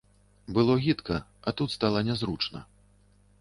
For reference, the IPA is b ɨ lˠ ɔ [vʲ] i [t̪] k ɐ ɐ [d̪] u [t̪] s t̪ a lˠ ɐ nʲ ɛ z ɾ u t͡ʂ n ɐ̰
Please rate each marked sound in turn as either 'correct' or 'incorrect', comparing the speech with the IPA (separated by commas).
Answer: incorrect, correct, incorrect, correct